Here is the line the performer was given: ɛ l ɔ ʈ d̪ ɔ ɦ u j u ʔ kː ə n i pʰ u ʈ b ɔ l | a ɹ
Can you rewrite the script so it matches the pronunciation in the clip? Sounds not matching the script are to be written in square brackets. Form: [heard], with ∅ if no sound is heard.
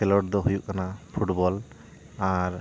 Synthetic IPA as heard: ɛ l ɔ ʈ d̪ ɔ ɦ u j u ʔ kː [a] n [a] pʰ u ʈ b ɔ l | a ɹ